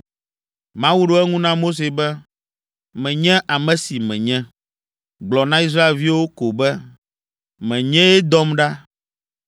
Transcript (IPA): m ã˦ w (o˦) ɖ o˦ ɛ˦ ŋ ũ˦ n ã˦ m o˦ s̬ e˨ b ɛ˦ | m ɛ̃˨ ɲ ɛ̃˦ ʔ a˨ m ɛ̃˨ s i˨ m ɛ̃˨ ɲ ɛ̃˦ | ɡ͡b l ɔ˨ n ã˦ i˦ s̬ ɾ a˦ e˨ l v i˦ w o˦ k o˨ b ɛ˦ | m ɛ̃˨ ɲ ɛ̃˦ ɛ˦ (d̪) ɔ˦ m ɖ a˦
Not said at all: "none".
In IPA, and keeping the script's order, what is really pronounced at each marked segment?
u˦, d̪

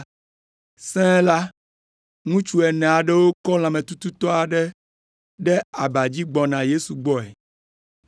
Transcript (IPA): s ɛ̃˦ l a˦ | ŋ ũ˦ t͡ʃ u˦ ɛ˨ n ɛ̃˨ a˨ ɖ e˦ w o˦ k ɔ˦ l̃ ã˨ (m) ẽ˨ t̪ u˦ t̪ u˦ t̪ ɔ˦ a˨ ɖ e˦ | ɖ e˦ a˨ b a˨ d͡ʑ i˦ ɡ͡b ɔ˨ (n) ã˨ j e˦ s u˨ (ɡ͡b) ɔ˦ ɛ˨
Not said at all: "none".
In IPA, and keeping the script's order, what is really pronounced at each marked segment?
m, n, ɡ͡b

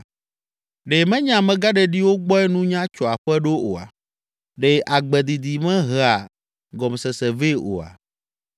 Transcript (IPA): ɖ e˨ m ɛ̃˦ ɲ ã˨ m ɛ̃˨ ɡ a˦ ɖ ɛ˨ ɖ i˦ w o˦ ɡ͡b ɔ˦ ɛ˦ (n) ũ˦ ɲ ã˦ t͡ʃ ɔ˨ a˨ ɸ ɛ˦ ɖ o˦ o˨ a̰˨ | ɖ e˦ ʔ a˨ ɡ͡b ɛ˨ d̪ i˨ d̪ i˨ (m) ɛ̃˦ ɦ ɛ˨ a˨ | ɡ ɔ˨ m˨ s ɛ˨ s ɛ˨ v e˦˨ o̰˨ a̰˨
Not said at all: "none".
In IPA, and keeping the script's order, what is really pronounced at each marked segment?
n, m

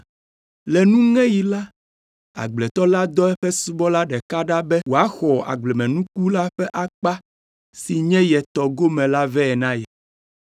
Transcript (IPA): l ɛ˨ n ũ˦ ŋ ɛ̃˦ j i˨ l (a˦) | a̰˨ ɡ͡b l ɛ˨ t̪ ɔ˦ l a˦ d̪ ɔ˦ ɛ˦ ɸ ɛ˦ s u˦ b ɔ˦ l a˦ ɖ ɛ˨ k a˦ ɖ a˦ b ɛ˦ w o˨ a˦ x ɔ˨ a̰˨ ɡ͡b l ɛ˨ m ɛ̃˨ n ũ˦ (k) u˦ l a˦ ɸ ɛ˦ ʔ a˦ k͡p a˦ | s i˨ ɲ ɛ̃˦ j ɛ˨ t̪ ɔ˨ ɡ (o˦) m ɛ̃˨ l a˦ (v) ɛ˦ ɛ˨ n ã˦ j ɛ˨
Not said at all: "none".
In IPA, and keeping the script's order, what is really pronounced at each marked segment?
a˦, k, o˦, v

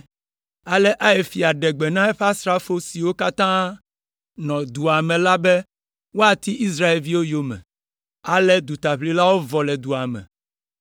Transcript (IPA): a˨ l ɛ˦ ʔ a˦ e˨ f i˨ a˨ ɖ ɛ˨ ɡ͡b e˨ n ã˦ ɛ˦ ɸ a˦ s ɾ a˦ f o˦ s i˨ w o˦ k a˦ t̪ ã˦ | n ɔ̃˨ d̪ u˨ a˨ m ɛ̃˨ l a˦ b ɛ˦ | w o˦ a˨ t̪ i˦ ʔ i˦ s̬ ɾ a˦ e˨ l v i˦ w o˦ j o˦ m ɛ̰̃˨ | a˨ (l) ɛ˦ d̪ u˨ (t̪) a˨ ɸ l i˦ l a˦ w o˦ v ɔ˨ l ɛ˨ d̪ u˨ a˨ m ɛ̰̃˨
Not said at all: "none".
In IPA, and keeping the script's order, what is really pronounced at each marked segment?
l, t̪

